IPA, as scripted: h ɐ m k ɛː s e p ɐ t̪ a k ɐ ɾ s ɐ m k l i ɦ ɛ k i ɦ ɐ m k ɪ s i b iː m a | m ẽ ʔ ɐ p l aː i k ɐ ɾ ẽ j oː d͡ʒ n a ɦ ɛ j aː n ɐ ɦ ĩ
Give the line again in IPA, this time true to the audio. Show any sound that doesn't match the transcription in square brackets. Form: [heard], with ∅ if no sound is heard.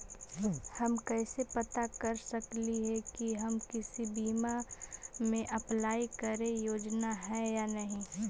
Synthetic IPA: h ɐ m k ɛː s e p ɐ t̪ a k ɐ ɾ s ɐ [∅] k l i ɦ ɛ k i ɦ ɐ m k ɪ s i b iː m a | m ẽ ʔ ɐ p l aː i k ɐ ɾ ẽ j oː d͡ʒ n a ɦ ɛ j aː n ɐ ɦ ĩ